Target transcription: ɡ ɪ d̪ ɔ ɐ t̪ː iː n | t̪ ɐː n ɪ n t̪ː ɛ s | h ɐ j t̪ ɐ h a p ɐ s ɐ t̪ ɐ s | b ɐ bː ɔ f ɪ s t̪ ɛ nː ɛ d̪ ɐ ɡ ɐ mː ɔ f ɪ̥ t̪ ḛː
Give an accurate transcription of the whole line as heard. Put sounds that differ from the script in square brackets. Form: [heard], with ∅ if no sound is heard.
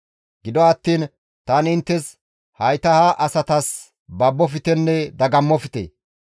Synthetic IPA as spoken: ɡ ɪ d̪ ɔ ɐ t̪ː iː n | t̪ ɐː n ɪ n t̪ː ɛ s | h ɐ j t̪ ɐ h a [ʔ] ɐ s ɐ t̪ ɐ s | b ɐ bː ɔ f ɪ [∅] t̪ ɛ nː ɛ d̪ ɐ ɡ ɐ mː ɔ f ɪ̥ t̪ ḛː